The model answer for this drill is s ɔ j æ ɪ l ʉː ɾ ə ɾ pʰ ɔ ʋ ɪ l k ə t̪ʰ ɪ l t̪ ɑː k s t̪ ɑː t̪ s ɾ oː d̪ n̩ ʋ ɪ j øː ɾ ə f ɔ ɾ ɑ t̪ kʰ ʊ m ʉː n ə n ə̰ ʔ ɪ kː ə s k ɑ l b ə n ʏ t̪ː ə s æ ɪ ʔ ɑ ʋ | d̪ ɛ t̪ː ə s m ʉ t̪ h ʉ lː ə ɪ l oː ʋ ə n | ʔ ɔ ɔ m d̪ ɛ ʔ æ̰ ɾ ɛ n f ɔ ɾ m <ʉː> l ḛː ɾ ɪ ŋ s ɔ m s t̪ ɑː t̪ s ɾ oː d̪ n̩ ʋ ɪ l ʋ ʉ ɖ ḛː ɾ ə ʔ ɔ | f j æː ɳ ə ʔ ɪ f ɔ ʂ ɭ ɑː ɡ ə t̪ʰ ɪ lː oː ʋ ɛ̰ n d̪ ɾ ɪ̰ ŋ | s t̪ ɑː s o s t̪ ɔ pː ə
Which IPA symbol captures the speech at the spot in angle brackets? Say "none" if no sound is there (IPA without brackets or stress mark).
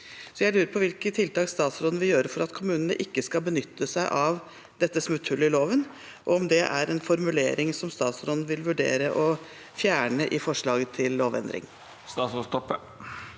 ʉ